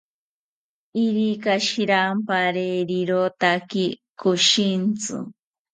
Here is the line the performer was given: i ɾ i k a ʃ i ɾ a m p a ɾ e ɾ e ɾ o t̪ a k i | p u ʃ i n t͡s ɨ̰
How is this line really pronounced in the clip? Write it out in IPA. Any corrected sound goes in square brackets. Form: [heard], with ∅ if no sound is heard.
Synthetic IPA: i ɾ i k a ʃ i ɾ a m p a ɾ e ɾ [i] ɾ o t̪ a k i | [k] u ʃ i n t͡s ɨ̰